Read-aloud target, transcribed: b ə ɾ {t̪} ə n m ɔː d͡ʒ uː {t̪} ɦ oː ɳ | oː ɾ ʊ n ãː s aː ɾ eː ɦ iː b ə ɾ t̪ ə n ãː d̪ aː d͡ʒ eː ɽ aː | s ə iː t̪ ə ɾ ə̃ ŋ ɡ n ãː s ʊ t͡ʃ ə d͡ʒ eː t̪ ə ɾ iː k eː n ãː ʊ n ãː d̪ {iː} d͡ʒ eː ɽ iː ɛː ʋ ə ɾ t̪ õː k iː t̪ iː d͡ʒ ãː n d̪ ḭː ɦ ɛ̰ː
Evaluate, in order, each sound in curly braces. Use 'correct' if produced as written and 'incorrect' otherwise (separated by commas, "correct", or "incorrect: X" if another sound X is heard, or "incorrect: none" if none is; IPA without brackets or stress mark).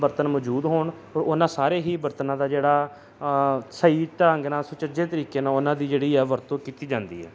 correct, incorrect: d̪, correct